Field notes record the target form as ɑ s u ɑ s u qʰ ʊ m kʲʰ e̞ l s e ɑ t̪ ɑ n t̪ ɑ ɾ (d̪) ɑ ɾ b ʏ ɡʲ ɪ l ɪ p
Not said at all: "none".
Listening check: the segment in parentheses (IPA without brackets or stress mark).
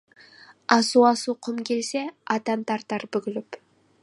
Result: t̪